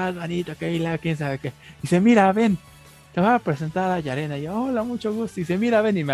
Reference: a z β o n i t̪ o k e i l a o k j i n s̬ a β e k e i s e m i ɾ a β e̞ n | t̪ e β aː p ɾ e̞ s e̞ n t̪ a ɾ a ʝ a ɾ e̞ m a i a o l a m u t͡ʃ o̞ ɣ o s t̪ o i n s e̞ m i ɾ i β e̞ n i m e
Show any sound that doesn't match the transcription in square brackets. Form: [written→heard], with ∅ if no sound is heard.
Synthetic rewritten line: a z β o n i t̪ o k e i l a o k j [i→e] n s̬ a β e k e i s e m i ɾ a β e̞ n | t̪ e β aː p ɾ e̞ s e̞ n t̪ a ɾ a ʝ a ɾ e̞ [m→n] a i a o l a m u t͡ʃ o̞ ɣ [o→u] s t̪ o i [n→∅] s e̞ m i ɾ [i→a] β e̞ n i m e